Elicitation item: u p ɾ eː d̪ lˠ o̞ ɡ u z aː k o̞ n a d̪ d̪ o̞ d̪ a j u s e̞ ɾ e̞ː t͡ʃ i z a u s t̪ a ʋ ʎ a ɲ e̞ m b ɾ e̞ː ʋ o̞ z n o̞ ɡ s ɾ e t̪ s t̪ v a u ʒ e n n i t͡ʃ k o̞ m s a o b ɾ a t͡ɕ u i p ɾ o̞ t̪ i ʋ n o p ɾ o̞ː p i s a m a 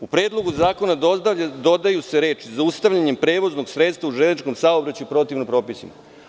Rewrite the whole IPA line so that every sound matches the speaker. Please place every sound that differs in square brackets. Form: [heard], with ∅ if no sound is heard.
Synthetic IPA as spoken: u p ɾ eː d̪ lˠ o̞ ɡ u z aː k o̞ n a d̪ d̪ o̞ d̪ a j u s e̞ ɾ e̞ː t͡ʃ i z a u s t̪ a ʋ ʎ a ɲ e̞ m [p] ɾ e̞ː ʋ o̞ z n o̞ ɡ s ɾ e t̪ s t̪ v a u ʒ e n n i t͡ʃ k o̞ m s a o b ɾ a t͡ɕ u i p ɾ o̞ t̪ i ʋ n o p ɾ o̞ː p i s [i] m a